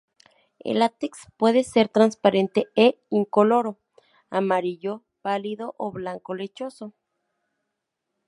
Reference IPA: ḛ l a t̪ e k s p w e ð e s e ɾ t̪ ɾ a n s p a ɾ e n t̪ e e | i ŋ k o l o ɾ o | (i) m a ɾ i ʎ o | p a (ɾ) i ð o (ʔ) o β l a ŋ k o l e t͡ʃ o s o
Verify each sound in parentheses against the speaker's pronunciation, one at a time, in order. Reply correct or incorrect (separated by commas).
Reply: incorrect, incorrect, correct